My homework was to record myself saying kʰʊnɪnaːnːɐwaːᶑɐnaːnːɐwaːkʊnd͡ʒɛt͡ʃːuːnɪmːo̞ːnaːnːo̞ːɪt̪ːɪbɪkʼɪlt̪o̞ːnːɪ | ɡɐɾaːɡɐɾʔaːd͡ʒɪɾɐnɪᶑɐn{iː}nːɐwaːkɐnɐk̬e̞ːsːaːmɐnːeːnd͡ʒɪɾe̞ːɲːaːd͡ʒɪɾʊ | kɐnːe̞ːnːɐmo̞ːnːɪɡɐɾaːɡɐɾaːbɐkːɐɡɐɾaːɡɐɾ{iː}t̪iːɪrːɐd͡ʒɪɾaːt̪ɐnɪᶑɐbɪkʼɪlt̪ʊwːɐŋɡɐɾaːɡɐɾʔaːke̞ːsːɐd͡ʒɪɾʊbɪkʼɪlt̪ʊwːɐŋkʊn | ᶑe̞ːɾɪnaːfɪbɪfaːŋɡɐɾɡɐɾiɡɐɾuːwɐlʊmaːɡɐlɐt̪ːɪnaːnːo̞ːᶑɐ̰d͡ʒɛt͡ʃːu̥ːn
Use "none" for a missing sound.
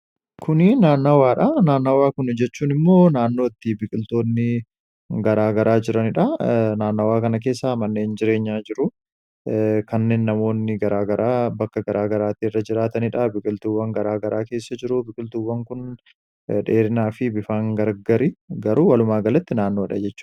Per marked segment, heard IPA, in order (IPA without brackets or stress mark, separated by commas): aː, aː